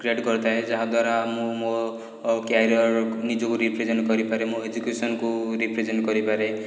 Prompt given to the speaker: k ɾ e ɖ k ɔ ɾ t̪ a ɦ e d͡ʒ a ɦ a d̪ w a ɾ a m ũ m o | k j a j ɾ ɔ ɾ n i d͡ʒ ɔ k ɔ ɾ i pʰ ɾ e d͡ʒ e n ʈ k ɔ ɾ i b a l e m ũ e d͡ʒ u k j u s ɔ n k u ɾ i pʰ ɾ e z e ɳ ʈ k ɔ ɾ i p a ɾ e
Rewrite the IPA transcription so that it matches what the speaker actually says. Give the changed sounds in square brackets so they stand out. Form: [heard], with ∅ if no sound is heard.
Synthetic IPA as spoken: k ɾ e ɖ k ɔ ɾ t̪ a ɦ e d͡ʒ a ɦ a d̪ w a ɾ a m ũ m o | k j a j ɾ ɔ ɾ n i d͡ʒ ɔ k [u] ɾ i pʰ ɾ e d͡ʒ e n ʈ k ɔ ɾ i [p] a [ɾ] e m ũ e d͡ʒ u k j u s ɔ n k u ɾ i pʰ ɾ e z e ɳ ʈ k ɔ ɾ i p a ɾ e